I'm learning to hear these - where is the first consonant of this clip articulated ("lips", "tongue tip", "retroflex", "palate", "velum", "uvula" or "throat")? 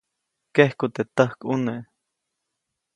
velum